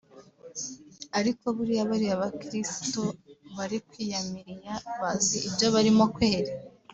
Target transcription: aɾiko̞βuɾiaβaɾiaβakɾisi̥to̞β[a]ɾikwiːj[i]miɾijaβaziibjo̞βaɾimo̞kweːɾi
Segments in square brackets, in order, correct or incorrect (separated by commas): correct, incorrect